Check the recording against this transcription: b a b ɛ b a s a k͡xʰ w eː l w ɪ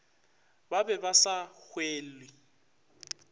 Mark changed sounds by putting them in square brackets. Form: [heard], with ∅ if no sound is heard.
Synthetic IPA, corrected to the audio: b a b ɛ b a s a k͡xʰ w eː l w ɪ